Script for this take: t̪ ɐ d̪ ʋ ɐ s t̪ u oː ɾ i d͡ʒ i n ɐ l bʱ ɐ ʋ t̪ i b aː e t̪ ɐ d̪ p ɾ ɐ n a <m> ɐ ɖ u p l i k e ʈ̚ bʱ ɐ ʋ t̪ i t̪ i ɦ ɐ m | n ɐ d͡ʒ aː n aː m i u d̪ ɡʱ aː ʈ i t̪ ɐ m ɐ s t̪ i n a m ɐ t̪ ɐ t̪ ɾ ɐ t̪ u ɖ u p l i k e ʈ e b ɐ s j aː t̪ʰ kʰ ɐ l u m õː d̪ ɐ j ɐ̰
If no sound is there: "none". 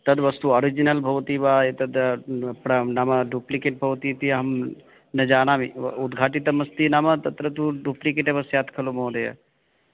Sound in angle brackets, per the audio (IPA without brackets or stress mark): m